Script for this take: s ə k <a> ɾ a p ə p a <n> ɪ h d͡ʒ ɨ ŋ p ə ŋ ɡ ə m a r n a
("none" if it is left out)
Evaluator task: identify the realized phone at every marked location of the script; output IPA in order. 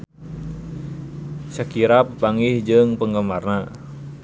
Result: i, ŋ

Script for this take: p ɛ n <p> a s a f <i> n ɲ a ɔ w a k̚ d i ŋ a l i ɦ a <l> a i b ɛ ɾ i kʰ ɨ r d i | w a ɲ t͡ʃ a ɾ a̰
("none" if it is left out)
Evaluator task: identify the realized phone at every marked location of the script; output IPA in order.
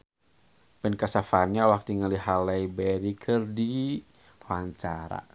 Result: k, a, l

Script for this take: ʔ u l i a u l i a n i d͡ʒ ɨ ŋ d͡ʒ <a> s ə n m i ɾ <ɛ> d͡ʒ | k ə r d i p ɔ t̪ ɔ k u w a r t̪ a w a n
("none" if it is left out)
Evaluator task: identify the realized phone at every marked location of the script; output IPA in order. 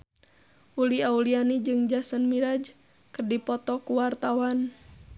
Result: a, a

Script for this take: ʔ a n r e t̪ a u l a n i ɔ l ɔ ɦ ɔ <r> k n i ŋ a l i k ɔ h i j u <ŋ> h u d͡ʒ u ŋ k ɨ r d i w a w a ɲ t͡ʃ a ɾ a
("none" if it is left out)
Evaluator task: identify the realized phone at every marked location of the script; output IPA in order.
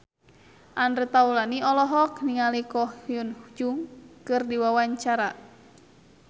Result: none, n

